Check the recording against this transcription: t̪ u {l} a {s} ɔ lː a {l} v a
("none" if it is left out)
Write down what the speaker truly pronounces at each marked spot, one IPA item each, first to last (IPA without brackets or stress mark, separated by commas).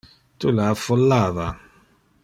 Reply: l, f, none